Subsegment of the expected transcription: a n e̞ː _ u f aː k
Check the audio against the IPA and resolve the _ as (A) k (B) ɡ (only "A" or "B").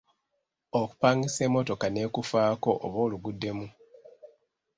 A